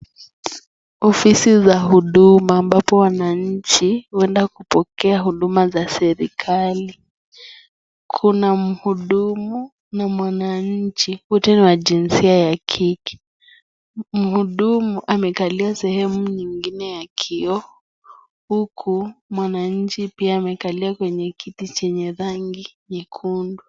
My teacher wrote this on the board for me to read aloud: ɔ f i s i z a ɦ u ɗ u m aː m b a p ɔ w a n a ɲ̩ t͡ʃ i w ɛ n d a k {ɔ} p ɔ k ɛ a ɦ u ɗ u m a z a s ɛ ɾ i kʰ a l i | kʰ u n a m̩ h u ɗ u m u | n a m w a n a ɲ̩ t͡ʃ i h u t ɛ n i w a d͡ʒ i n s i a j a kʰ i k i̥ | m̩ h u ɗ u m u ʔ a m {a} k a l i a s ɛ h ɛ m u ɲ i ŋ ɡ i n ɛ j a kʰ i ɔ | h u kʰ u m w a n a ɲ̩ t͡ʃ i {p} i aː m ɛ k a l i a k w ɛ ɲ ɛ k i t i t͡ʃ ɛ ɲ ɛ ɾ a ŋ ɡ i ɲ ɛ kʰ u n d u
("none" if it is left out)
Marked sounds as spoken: u, ɛ, p

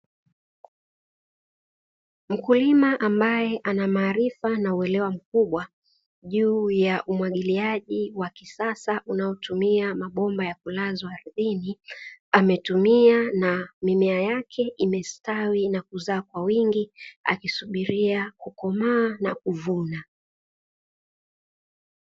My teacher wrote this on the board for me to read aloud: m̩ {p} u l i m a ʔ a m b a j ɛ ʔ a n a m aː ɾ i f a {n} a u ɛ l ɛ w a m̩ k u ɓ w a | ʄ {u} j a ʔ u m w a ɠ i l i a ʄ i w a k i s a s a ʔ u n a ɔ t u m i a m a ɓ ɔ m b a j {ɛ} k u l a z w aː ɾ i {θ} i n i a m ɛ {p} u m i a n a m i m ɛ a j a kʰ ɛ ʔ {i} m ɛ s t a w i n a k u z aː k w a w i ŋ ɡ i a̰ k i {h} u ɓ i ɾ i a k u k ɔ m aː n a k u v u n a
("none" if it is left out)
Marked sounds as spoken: k, n, uː, a, ð, t, i, s

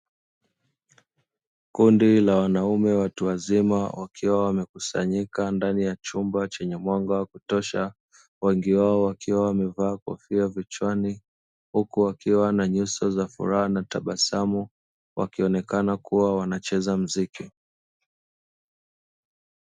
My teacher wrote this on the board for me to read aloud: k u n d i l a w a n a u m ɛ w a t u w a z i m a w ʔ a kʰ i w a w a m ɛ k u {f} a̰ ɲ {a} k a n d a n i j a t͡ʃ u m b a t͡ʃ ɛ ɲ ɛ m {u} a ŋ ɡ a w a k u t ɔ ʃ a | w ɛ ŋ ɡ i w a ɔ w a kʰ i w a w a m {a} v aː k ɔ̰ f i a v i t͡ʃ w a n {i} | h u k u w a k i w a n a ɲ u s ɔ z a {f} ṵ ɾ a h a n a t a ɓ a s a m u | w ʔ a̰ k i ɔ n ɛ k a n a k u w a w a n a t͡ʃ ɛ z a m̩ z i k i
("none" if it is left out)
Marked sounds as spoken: s, i, w, ɛ, i, f

